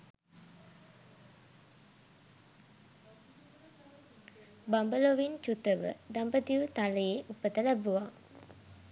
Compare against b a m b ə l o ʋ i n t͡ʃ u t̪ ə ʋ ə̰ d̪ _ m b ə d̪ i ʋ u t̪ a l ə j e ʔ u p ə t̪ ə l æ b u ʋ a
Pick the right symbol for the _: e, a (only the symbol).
a